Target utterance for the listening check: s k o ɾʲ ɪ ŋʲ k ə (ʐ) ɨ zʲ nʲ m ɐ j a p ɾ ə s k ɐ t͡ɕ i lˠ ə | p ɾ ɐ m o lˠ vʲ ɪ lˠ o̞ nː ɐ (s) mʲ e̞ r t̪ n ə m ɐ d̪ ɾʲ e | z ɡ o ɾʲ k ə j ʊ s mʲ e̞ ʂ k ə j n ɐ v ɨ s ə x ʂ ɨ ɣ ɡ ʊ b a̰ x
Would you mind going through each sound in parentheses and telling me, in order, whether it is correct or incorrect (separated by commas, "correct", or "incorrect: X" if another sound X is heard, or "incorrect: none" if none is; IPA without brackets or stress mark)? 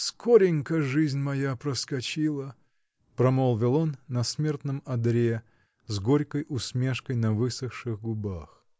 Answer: correct, correct